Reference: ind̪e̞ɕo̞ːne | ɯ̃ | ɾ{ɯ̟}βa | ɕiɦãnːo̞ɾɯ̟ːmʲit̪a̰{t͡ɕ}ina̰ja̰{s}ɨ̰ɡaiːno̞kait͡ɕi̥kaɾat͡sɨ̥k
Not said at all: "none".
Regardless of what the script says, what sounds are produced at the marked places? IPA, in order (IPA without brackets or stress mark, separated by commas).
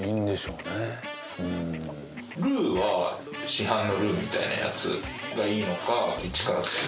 ɯ̟ː, none, t͡s